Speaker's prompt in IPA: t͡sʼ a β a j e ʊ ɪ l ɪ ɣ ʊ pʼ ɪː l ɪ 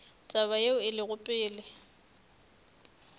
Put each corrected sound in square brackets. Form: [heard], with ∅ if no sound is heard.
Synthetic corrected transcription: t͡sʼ a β a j e ʊ ɪ l ɪ ɣ ʊ pʼ ɪː l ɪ